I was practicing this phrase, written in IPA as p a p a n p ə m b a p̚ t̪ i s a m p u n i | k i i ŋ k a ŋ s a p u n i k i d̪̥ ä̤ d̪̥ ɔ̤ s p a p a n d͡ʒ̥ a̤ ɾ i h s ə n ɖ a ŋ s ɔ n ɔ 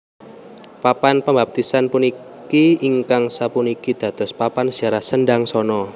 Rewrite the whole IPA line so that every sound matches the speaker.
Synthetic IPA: p a p a n p ə m b a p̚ t̪ i s a n p u n i | k i i ŋ k a ŋ s a p u n i k i d̪̥ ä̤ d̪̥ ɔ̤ s p a p a n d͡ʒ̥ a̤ ɾ a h s ə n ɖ a ŋ s ɔ n ɔ

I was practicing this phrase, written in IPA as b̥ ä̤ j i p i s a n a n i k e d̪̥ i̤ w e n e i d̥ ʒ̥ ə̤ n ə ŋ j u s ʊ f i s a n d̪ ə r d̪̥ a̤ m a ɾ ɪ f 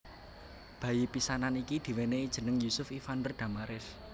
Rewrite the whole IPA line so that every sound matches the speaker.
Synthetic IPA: b̥ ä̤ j i p i s a n a n i k i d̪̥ i̤ w e n e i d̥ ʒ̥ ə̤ n ə ŋ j u s ʊ f i f a n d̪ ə r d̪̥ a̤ m a ɾ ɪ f

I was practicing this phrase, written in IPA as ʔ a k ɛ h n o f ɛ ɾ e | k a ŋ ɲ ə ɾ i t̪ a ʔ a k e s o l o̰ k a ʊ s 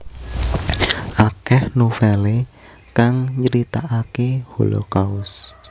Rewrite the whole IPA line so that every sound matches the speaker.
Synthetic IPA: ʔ a k ɛ h n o f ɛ l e | k a ŋ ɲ ə ɾ i t̪ a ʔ a k e h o l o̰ k a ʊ s

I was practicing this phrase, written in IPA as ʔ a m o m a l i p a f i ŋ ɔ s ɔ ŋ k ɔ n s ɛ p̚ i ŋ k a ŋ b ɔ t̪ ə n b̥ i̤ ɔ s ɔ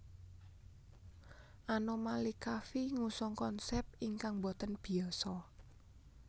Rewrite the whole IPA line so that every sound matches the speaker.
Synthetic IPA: ʔ a n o m a l i k a f i ŋ u s ɔ ŋ k ɔ n s ɛ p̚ i ŋ k a ŋ b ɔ t̪ ə n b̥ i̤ ɔ s ɔ

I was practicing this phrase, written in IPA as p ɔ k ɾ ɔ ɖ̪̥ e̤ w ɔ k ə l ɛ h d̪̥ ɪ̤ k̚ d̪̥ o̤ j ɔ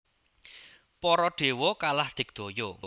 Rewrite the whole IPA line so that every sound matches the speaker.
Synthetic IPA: p ɔ ɾ ɔ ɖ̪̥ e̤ w ɔ k a l a h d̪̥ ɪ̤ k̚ d̪̥ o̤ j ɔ

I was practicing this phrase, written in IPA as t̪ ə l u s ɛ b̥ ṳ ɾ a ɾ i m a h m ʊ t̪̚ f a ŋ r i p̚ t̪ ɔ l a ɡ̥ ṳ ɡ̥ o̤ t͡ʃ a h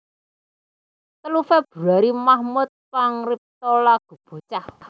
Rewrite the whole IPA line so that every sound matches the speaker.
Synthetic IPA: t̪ ə l u f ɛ b̥ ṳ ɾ a ɾ i m a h m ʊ t̪̚ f a ŋ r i p̚ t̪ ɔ l a ɡ̥ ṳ b̥ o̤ t͡ʃ a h

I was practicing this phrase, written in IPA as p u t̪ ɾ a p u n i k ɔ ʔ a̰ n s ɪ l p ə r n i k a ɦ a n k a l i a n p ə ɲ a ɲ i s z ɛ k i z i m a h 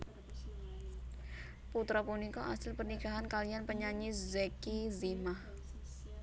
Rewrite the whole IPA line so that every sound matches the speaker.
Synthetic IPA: p u t̪ ɾ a p u n i k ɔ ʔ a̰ s ɪ l p ə r n i k a ɦ a n k a l i a n p ə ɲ a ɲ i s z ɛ k i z i m a h

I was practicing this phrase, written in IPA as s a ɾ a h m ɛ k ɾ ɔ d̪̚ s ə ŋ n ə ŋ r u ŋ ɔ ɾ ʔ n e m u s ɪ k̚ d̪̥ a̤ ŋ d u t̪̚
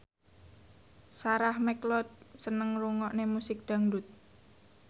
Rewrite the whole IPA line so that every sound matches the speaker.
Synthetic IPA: s a ɾ a h m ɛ k l ɔ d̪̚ s ə n ə ŋ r u ŋ ɔ ʔ n e m u s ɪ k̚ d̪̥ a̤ ŋ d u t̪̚

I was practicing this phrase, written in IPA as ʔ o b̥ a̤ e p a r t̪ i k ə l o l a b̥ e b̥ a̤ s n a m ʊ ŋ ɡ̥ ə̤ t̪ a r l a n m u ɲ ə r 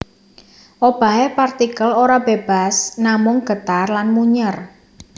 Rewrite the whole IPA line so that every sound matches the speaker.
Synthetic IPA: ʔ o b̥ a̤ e p a r t̪ i k ə l o ɾ a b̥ e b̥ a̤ s n a m ʊ ŋ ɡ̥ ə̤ t̪ a r l a n m u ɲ ə r

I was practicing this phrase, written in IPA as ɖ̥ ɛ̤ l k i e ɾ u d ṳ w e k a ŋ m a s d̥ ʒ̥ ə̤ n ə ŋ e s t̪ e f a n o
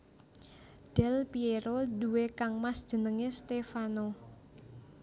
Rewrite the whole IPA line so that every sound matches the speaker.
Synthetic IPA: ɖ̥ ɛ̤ l p i e ɾ o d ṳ w e k a ŋ m a s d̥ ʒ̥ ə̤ n ə ŋ e s t̪ e f a n o

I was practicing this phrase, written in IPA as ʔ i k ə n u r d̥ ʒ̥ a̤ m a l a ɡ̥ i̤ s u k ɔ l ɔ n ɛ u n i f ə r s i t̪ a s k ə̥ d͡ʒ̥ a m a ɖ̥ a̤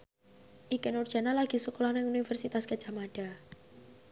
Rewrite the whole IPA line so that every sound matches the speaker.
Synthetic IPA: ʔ i k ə n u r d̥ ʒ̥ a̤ n a l a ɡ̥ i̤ s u k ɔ l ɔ n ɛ u n i f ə r s i t̪ a s k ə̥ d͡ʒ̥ a m a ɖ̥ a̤

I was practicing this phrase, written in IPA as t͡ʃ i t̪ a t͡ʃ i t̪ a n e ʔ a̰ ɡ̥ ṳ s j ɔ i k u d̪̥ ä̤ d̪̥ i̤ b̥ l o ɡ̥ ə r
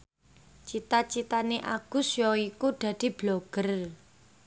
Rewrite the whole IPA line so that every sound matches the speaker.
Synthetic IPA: t͡ʃ i t̪ a t͡ʃ i t̪ a n e ʔ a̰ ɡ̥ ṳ s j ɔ i k u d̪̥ ä̤ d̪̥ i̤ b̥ l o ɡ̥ ə r

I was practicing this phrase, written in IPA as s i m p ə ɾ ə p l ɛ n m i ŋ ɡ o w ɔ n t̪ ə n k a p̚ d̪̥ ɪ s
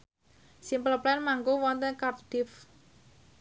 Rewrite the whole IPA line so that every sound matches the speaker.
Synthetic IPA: s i m p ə l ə p l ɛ n m a ŋ ɡ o w ɔ n t̪ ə n k a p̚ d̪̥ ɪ f

